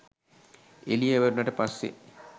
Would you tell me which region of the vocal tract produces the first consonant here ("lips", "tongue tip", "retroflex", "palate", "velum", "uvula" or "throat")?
tongue tip